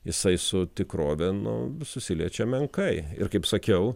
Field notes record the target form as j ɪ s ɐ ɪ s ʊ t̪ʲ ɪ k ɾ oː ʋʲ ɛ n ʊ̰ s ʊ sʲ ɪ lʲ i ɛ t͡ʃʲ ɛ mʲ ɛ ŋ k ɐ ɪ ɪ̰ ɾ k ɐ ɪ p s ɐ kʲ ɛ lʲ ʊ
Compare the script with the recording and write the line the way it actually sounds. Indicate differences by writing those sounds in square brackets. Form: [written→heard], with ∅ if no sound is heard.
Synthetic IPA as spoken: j ɪ s ɐ ɪ s ʊ t̪ʲ ɪ k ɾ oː ʋʲ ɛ n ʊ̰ s ʊ sʲ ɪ lʲ i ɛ t͡ʃʲ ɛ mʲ ɛ ŋ k ɐ ɪ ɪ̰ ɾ k ɐ ɪ p s ɐ kʲ ɛ [lʲ→∅] ʊ